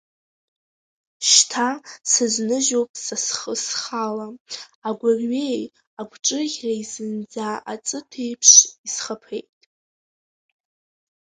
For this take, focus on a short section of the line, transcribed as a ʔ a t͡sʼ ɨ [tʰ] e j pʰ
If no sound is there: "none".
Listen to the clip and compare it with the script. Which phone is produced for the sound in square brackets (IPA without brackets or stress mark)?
tʰ